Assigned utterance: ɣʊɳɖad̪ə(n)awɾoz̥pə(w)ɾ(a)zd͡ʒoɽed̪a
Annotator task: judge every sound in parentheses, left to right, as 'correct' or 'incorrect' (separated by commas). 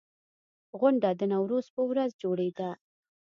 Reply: correct, correct, correct